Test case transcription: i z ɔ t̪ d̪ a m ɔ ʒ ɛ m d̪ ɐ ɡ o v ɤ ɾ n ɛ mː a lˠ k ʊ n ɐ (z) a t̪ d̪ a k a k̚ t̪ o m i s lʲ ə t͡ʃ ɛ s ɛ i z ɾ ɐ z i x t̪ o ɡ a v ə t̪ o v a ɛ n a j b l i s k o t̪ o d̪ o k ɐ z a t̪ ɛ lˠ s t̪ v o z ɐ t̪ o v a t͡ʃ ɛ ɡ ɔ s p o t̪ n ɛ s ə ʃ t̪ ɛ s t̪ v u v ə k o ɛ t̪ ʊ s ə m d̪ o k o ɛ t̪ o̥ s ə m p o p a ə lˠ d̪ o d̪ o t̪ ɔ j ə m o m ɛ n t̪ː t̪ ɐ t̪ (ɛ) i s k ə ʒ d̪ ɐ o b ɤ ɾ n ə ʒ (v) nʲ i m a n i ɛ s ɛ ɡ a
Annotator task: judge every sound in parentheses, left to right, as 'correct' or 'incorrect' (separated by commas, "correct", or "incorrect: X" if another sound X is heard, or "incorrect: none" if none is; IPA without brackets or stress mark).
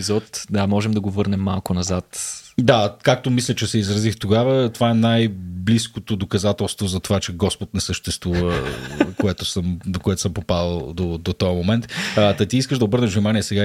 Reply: correct, incorrect: i, correct